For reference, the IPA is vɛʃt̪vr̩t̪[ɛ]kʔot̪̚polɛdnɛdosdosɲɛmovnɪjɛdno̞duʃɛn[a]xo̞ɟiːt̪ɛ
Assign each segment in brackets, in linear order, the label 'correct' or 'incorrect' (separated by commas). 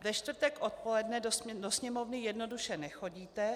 correct, incorrect